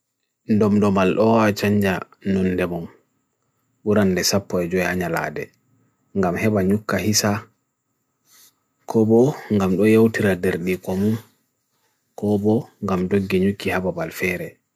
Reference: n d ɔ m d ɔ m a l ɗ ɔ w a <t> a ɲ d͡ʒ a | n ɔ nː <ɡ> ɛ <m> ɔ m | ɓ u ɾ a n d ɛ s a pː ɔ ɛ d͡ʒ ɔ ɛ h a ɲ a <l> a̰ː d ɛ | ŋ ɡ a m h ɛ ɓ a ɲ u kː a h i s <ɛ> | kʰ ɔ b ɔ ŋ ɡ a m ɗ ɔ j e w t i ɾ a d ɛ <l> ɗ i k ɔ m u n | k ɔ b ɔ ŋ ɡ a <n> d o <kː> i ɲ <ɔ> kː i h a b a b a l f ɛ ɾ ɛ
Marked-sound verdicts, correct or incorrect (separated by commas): incorrect, incorrect, correct, correct, incorrect, incorrect, incorrect, incorrect, incorrect